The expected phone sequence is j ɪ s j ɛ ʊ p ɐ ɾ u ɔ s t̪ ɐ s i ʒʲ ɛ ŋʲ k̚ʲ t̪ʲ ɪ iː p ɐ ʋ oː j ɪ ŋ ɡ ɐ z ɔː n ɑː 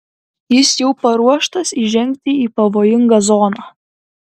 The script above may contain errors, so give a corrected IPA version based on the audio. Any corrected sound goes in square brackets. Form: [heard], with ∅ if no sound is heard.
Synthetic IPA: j ɪ s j ɛ ʊ p ɐ ɾ u ɔ [ʃ] t̪ ɐ s i ʒʲ ɛ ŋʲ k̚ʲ t̪ʲ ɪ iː p ɐ ʋ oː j ɪ ŋ ɡ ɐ z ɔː n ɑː